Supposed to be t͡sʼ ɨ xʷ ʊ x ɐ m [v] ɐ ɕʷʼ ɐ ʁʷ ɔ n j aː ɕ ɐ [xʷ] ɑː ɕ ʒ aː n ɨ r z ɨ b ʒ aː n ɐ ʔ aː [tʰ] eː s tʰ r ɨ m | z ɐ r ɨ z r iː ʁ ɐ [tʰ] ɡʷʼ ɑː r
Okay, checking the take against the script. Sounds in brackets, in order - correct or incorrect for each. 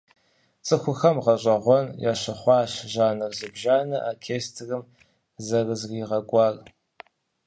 incorrect: ʁ, incorrect: χʷ, incorrect: kʰ, incorrect: none

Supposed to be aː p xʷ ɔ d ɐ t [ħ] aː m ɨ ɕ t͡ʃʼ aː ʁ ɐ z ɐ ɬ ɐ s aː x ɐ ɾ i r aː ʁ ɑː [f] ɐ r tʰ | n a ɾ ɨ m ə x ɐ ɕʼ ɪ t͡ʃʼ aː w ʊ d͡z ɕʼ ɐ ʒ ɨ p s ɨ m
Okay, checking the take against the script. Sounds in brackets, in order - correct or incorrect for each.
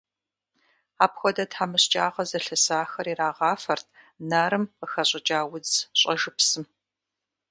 correct, correct

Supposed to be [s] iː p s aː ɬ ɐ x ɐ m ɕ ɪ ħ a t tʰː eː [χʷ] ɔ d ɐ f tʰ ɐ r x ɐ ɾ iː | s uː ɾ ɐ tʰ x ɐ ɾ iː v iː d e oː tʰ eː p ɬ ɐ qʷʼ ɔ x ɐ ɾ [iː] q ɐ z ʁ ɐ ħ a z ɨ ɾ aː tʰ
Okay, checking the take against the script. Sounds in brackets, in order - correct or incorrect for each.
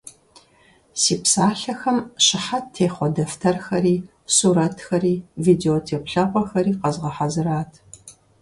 correct, correct, correct

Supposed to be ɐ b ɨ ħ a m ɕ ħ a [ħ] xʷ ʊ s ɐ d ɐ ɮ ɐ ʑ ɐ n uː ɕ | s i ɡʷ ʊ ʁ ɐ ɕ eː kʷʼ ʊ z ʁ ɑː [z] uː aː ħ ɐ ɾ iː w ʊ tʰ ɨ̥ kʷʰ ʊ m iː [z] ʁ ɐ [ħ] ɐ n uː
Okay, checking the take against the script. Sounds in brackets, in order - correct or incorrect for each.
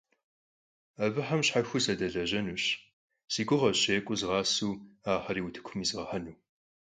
incorrect: none, incorrect: s, correct, correct

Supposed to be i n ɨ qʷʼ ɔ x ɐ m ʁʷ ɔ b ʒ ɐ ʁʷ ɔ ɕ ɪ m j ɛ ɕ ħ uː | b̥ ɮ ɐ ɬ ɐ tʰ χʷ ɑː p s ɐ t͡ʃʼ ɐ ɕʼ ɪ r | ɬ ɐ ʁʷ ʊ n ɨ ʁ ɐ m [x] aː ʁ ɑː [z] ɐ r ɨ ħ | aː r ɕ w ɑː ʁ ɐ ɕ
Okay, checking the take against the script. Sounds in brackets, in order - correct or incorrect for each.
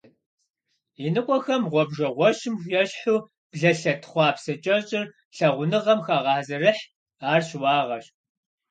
correct, correct

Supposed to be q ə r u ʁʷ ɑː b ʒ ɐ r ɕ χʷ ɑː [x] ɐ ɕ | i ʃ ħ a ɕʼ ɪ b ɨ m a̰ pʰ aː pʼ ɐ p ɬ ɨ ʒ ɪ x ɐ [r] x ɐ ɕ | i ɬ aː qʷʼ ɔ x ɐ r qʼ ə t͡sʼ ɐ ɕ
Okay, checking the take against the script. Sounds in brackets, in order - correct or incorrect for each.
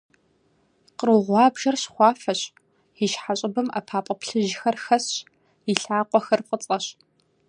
incorrect: f, correct

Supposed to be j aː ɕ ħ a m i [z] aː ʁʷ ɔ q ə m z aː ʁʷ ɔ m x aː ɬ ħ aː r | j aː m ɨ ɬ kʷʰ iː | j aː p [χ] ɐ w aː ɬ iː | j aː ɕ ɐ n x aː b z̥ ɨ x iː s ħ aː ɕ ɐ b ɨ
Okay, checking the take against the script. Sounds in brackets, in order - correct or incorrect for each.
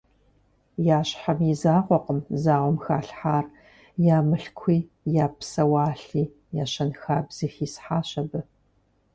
correct, incorrect: s

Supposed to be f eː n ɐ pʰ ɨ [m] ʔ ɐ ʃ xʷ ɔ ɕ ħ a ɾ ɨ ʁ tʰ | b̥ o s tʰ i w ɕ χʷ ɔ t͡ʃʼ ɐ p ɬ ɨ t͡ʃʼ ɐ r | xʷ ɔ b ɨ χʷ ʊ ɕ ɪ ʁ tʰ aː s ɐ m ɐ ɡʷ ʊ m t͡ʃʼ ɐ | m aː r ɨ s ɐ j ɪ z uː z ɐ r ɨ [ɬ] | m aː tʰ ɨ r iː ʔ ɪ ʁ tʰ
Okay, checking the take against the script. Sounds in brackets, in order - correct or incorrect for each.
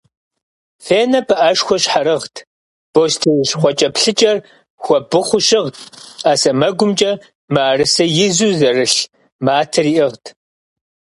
incorrect: none, correct

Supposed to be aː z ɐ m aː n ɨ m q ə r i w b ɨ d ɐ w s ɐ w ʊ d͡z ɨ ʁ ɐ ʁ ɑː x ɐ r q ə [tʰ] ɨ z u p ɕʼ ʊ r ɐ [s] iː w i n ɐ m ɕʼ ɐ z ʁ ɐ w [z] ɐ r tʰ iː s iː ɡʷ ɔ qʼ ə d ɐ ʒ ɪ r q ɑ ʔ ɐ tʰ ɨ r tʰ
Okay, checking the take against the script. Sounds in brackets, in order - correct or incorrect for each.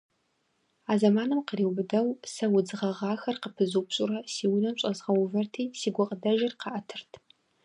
incorrect: pʰ, correct, incorrect: v

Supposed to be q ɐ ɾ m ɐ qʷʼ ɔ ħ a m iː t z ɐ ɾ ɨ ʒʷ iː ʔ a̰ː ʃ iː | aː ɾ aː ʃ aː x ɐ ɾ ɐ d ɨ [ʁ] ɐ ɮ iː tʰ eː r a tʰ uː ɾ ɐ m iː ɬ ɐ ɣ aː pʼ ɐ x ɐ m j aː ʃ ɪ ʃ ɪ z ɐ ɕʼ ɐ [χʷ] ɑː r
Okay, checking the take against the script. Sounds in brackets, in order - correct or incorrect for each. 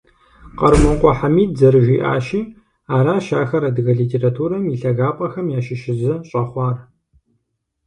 incorrect: ɣ, correct

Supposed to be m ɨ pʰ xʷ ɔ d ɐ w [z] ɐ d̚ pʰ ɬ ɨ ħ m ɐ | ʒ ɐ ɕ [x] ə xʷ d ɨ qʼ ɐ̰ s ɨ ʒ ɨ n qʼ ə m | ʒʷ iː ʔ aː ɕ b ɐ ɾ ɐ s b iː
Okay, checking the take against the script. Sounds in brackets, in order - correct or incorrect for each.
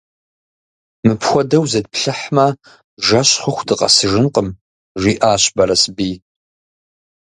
correct, incorrect: χ

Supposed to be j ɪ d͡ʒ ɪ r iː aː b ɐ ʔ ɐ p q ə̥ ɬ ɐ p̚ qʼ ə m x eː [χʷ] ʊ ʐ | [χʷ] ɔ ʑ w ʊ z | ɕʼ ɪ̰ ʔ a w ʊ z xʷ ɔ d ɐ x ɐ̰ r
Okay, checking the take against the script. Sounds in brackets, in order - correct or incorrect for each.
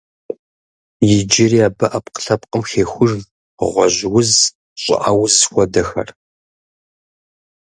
incorrect: xʷ, incorrect: ʁʷ

